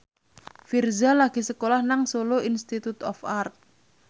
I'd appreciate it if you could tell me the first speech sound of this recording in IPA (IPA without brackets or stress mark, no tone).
f